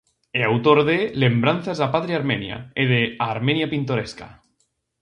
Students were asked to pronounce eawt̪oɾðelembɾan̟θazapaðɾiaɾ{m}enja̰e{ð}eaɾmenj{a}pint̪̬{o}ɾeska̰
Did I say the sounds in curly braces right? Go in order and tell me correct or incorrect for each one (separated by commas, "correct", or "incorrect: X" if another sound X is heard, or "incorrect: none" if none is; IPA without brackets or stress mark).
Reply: correct, correct, correct, correct